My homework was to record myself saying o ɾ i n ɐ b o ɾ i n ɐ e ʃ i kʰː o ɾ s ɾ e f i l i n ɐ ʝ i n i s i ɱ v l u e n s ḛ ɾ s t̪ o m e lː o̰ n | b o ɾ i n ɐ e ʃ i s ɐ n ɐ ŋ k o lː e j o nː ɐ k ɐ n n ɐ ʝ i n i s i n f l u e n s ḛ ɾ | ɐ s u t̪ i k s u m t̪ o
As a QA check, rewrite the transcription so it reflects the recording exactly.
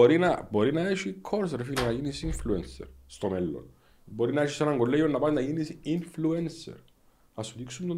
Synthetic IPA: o ɾ i n ɐ b o ɾ i n ɐ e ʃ i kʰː o ɾ s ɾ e f i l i n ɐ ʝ i n i s i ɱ f l u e n s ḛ ɾ s t̪ o m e lː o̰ n | b o ɾ i n ɐ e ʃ i s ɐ n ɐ ŋ ɡ o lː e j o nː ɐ p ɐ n n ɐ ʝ i n i s i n f l u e n s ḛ ɾ | ɐ s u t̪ i k s u m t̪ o